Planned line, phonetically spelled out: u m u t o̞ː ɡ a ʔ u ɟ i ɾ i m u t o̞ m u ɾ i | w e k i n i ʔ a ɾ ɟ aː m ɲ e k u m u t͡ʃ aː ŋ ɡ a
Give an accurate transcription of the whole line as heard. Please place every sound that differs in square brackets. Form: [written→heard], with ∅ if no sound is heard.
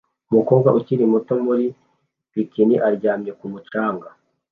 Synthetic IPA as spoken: u m u [t→k] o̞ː ɡ a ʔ u [ɟ→c] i ɾ i m u t o̞ m u ɾ i | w [e→i] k i n i ʔ a ɾ ɟ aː m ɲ e k u m u t͡ʃ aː ŋ ɡ a